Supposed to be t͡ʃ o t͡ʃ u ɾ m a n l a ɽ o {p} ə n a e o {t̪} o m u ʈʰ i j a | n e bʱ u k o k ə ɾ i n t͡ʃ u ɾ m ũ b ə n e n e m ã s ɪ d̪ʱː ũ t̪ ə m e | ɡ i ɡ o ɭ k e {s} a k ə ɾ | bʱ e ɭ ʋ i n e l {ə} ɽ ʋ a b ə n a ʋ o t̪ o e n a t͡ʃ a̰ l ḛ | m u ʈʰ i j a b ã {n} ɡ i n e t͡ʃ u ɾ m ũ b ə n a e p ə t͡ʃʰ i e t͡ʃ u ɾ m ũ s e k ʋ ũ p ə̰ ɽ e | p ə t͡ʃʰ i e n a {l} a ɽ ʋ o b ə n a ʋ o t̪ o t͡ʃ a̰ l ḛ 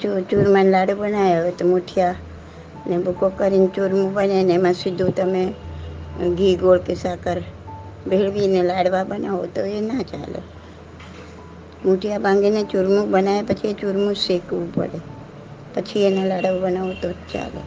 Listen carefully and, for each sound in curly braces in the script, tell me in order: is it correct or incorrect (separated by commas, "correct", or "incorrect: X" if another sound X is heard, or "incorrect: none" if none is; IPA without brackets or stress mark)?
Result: incorrect: b, correct, correct, incorrect: a, incorrect: ŋ, correct